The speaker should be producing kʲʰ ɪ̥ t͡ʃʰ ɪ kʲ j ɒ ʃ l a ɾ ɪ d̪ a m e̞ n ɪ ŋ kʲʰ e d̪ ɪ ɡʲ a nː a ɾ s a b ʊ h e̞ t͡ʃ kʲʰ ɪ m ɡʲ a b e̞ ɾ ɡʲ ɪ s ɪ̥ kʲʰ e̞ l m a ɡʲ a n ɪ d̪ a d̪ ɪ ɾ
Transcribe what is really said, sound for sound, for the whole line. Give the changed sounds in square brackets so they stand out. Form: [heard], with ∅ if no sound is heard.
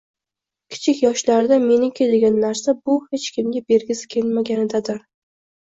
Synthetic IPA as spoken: kʲʰ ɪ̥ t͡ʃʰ ɪ kʲ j ɒ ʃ l a ɾ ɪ d̪ a m e̞ n ɪ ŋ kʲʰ e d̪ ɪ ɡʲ a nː a ɾ s a b ʊ h e̞ t͡ʃ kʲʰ ɪ m ɡʲ a b e̞ ɾ ɡʲ ɪ s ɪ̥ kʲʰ e̞ l m a ɡʲ a n ɪ d̪ a d̪ ɪ ɾ